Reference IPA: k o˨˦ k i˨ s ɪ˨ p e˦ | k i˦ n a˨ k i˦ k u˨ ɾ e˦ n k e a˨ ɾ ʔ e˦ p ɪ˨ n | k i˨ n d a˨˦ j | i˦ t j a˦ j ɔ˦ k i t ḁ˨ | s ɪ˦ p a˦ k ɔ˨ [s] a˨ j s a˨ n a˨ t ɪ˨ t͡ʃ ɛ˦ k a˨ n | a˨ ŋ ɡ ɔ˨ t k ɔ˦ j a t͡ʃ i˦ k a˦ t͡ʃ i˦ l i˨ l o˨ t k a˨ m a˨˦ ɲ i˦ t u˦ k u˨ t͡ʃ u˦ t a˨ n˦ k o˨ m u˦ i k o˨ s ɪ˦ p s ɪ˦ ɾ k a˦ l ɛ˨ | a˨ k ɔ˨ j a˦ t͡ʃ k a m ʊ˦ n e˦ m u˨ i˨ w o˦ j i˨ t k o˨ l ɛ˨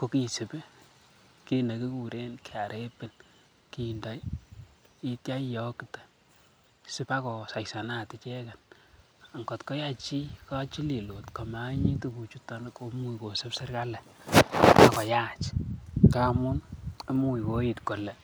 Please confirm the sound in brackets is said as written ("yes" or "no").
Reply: yes